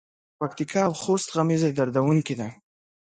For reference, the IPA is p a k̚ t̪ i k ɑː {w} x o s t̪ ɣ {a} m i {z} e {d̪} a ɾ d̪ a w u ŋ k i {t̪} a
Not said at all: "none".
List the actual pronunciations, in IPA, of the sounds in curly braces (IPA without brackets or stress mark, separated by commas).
w, a, z, d̪, d̪